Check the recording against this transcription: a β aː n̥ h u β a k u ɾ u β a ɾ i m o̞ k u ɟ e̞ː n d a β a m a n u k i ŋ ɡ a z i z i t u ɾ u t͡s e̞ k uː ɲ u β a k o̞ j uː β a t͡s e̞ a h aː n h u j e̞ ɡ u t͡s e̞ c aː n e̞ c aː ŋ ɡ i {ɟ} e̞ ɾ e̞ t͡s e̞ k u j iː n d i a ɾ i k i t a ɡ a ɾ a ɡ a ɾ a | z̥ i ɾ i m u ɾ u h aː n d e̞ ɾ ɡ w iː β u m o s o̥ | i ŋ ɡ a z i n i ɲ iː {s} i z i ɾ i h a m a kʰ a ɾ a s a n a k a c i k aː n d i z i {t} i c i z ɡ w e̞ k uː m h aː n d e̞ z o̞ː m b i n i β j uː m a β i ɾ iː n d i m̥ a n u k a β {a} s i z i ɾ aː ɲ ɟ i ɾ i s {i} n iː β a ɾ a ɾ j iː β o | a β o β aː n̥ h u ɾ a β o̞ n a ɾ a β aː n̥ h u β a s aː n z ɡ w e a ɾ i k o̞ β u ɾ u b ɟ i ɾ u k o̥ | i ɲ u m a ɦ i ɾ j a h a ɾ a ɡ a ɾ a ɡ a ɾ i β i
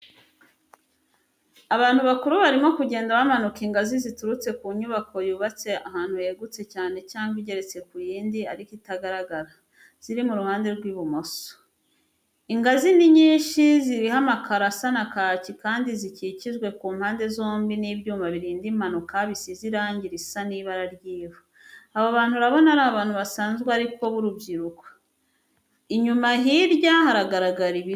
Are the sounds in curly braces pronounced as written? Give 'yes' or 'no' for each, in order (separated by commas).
yes, no, no, no, no